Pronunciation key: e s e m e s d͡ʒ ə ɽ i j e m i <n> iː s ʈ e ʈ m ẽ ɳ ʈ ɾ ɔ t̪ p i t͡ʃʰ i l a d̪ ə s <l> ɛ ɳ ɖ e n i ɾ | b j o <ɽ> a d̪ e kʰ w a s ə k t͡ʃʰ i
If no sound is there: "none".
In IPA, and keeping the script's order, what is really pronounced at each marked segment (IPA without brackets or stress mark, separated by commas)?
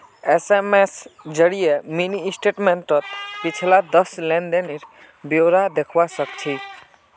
n, l, ɾ